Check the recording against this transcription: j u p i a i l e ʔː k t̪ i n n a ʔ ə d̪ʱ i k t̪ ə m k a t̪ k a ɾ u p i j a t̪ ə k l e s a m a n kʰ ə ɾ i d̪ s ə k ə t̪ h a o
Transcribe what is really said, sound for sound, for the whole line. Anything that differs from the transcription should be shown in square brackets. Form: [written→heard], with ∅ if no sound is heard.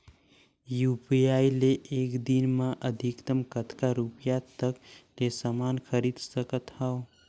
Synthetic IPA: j u p i a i l e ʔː k [t̪→d̪] i n [n→m] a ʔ ə d̪ʱ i k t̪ ə m k [a→ə] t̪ k a ɾ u p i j a t̪ ə k l e s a m a n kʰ ə ɾ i d̪ s ə k ə t̪ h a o